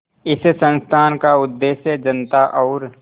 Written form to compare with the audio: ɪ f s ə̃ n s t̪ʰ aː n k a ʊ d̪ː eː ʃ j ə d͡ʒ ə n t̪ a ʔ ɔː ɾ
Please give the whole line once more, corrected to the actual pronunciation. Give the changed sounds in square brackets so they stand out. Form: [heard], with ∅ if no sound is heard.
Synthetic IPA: ɪ [s] s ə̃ n s t̪ʰ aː n k a ʊ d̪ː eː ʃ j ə d͡ʒ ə n t̪ a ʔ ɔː ɾ